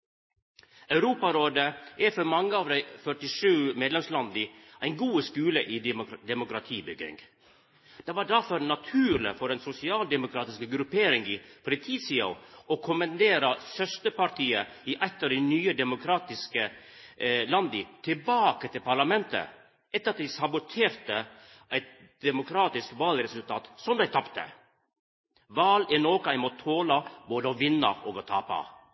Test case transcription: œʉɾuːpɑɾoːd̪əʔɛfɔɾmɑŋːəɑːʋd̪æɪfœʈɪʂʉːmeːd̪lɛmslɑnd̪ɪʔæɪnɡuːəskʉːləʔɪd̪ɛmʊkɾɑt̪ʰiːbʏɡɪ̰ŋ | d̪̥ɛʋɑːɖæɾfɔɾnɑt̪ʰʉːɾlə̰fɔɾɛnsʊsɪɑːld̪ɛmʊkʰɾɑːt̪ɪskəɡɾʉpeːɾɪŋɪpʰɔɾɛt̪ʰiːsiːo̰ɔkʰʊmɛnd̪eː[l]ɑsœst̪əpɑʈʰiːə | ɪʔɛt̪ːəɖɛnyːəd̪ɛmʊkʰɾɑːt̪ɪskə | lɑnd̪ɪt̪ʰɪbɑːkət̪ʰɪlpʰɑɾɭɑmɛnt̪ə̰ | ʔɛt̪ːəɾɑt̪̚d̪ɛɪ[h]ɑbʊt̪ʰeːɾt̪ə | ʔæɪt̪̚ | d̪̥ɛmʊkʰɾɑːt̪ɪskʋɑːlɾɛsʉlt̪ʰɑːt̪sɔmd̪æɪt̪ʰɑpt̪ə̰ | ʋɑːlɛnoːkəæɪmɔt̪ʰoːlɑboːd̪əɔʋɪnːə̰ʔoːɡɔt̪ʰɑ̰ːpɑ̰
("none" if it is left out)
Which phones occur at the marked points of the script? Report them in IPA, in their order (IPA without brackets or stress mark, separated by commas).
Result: ɾ, s